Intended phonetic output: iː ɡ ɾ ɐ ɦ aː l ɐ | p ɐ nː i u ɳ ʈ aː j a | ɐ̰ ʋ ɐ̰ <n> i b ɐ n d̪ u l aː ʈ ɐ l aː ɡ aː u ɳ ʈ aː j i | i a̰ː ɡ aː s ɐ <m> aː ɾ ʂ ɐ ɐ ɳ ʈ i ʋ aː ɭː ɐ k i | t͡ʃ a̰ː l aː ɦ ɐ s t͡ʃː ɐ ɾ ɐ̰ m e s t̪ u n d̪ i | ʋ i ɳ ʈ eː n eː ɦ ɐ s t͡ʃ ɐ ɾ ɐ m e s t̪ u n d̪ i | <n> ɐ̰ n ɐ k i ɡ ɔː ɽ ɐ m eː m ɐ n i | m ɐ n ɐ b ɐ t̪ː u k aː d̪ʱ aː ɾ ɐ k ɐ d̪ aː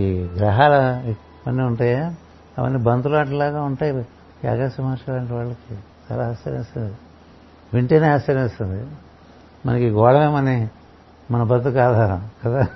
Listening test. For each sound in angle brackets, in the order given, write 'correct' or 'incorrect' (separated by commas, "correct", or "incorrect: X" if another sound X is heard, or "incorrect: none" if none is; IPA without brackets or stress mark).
incorrect: nː, correct, incorrect: m